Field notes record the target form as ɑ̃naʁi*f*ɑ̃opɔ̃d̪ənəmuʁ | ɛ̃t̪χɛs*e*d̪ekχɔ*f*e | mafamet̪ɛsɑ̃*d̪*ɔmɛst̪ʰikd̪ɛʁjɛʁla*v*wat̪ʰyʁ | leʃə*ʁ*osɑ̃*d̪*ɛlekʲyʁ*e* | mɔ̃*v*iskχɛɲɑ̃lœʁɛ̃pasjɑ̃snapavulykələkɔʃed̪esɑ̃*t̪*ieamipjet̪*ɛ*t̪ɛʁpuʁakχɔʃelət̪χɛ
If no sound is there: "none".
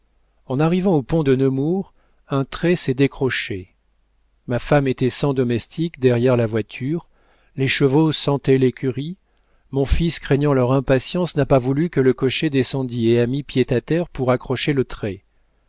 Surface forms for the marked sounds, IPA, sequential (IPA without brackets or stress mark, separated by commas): v, ɛ, ʃ, d̪, v, v, t̪, i, f, d̪, a